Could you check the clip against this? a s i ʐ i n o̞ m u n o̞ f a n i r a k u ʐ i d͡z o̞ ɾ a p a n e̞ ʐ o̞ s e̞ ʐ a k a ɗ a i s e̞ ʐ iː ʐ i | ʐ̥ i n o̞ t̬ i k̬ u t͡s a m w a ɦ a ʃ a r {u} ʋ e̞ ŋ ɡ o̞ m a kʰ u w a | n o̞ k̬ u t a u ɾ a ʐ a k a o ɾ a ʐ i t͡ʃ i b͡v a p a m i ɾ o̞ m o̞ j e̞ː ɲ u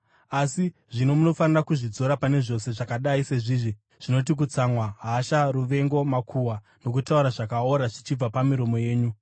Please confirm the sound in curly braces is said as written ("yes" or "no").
yes